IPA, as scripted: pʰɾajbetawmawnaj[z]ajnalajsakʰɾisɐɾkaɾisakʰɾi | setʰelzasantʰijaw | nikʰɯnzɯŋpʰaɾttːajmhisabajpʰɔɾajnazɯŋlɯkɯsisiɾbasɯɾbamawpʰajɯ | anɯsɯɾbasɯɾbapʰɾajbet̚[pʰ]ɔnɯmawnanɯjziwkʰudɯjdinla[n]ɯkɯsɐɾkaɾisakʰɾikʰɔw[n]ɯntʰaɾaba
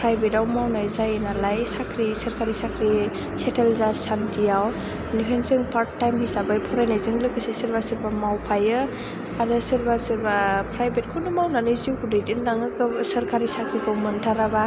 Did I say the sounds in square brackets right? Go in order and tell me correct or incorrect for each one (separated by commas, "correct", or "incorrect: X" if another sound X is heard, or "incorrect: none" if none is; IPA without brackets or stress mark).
correct, incorrect: kʰ, incorrect: ŋ, incorrect: m